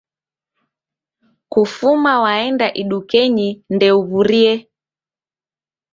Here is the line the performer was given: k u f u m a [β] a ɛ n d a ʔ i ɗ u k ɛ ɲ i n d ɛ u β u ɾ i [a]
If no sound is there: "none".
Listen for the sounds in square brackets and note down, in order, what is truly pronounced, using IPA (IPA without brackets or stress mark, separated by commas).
w, ɛ